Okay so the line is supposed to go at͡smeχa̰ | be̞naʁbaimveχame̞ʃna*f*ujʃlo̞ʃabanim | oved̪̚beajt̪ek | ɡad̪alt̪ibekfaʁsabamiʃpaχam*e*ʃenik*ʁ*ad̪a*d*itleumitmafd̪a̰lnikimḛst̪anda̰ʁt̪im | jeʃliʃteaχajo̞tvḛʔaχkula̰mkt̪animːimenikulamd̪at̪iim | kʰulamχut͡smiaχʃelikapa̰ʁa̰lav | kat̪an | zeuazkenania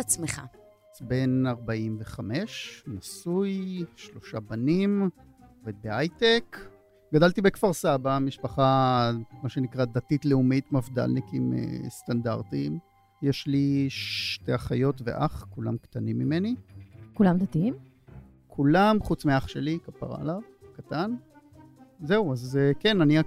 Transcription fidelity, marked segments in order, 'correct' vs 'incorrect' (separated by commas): incorrect, incorrect, correct, incorrect